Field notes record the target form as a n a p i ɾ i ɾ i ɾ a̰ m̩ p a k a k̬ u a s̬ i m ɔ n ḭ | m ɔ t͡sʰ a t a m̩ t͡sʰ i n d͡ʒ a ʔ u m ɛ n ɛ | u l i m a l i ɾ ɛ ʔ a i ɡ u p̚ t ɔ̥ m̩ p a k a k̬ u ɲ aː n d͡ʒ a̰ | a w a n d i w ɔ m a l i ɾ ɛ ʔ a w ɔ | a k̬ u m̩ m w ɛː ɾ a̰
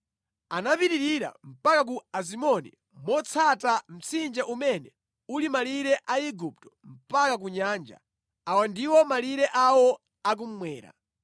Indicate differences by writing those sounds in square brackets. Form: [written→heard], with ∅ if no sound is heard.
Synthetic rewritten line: a n a p i ɾ i ɾ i ɾ a̰ m̩ p a k a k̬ u a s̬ i m ɔ n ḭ | m ɔ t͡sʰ a t a m̩ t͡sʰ i n d͡ʒ a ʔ u m ɛ n ɛ | u l i m a l i ɾ ɛ ʔ a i ɡ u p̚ t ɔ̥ m̩ p a k a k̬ u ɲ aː n d͡ʒ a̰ | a w a n d i w ɔ m a l i ɾ ɛ ʔ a w ɔ | a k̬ u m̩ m w ɛː ɾ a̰